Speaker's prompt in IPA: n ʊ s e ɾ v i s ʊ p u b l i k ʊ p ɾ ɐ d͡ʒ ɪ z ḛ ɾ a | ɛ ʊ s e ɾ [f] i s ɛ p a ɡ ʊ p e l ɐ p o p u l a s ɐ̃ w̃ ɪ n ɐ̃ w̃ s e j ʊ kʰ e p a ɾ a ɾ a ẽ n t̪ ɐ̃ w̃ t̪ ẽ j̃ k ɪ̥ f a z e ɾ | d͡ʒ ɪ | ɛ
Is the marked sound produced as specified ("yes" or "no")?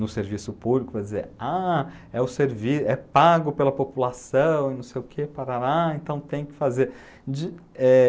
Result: no